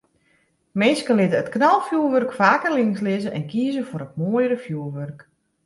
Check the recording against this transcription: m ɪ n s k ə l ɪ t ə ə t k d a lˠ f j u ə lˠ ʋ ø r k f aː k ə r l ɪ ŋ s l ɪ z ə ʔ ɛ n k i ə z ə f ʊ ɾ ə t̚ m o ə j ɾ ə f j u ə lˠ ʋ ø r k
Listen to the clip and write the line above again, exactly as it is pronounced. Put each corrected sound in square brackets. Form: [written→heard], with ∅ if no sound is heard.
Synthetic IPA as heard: m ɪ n s k ə l ɪ t ə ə t k [d→n] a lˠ f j u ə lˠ ʋ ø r k f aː k ə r l ɪ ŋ s l ɪ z ə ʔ ɛ n k i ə z ə f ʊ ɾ ə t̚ m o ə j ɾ ə f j u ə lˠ ʋ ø r k